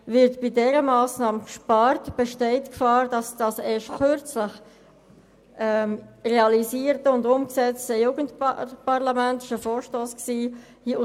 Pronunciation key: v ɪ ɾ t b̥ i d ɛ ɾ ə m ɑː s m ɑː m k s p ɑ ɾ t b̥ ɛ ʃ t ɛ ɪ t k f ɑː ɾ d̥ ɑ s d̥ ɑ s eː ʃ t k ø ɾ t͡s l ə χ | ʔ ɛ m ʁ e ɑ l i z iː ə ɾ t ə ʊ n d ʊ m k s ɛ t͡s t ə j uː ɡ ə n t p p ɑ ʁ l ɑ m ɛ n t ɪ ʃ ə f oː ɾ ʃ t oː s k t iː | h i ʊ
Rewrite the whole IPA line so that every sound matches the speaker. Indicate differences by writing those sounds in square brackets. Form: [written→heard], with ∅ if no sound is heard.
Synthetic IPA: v ɪ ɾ t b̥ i d ɛ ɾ ə m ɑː s [m→n] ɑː m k [s→ʃ] p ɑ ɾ t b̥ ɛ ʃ t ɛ ɪ t k f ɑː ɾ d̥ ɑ s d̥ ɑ s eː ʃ t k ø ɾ t͡s l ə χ | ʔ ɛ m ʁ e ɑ l i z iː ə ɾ t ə ʊ n d ʊ m k s ɛ t͡s t ə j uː ɡ ə n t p p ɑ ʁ l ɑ m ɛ n t ɪ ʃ ə f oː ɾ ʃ t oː s k [t→s] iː | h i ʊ